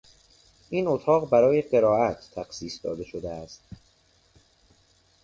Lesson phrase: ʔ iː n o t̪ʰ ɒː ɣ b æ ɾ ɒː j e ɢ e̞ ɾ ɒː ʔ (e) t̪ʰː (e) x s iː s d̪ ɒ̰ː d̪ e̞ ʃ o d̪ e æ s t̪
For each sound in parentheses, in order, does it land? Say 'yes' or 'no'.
no, no

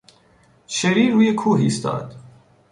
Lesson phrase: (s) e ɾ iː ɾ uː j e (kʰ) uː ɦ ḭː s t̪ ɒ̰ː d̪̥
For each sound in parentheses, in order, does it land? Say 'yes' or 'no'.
no, yes

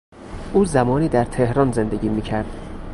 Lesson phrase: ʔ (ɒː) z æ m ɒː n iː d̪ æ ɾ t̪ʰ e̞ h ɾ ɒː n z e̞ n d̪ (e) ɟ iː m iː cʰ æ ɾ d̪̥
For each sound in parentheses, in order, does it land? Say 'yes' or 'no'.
no, yes

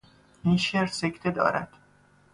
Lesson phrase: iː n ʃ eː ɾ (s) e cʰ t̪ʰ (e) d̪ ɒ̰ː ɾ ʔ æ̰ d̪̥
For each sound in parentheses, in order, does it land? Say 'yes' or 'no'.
yes, yes

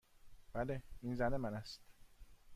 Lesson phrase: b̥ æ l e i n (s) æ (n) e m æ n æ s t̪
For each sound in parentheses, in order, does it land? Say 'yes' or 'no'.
no, yes

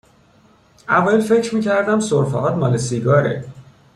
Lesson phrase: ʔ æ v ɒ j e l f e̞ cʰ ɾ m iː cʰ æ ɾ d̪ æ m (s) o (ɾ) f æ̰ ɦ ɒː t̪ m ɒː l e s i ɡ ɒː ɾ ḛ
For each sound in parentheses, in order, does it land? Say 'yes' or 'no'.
yes, yes

